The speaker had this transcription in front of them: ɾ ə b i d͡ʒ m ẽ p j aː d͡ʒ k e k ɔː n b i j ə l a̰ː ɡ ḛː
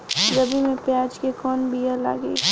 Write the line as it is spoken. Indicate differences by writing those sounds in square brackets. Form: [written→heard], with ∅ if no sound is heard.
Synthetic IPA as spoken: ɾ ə b i [d͡ʒ→∅] m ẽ p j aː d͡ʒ k e k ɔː n b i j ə l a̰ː ɡ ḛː